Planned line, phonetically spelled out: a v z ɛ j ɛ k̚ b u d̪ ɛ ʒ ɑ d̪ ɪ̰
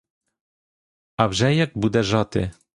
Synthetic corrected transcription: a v ʒ ɛ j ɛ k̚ b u d̪ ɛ ʒ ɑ t̪ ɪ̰